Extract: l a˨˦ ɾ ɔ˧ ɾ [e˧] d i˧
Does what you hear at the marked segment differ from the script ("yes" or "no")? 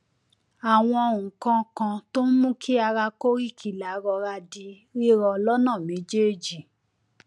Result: yes